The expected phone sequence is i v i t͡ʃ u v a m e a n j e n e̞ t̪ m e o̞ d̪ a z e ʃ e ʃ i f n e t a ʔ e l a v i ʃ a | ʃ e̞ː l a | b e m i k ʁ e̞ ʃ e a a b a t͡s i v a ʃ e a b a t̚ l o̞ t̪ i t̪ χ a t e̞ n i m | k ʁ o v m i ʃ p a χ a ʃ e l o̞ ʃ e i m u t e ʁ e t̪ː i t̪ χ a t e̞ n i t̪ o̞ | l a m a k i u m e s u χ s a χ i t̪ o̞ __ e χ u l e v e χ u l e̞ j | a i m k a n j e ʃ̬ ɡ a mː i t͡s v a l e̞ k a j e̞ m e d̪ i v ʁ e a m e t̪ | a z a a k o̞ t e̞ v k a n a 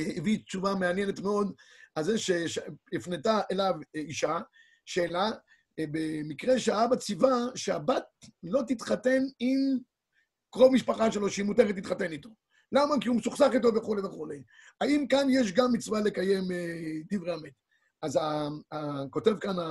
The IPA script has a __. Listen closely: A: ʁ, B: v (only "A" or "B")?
B